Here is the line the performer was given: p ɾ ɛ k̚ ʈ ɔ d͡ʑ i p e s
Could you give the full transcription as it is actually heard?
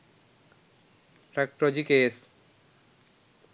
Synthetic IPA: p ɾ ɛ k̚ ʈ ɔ d͡ʑ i k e s

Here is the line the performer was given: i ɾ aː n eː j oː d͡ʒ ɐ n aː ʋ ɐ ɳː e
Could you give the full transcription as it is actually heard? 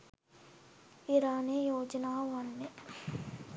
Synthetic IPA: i ɾ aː n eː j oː d͡ʒ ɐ n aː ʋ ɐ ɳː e

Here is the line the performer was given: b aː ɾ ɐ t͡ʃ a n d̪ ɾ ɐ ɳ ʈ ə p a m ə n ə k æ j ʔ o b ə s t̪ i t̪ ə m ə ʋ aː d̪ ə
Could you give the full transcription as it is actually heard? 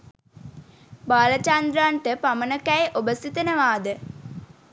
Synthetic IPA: b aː l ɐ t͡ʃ a n d̪ ɾ a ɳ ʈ ə p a m ə n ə k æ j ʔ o b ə s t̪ i t̪ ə n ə ʋ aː d̪ ə

